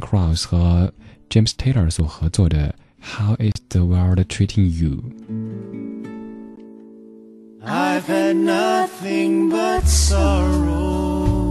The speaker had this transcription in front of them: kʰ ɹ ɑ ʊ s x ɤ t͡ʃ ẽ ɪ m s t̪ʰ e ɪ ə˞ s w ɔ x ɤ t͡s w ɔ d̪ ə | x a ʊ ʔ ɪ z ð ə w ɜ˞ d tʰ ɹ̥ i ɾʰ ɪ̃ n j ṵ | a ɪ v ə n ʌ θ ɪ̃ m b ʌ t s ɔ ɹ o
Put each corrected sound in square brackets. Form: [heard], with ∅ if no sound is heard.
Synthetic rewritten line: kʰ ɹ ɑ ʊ s x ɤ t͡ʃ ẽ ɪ m s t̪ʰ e ɪ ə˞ s w ɔ x ɤ t͡s w ɔ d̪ ə | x a ʊ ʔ ɪ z ð ə w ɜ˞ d tʰ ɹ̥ i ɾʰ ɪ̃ [ŋ] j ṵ | a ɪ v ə n ʌ θ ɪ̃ [ŋ] b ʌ t s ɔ ɹ o